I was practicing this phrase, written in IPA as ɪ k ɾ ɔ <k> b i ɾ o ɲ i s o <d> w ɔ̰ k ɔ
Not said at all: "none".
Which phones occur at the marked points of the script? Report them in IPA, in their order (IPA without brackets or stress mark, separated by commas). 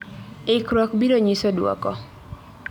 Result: k, d